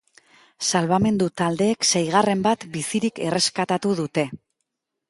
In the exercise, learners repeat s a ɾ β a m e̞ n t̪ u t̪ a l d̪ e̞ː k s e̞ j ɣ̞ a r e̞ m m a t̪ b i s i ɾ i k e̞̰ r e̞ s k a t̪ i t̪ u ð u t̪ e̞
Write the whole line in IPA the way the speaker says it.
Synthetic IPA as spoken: s a l β a m e̞ n d̪ u t̪ a l d̪ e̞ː k s e̞ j ɣ̞ a r e̞ m b a t̪ b i s i ɾ i k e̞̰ r e̞ s k a t̪ a t̪ u ð u t̪ e̞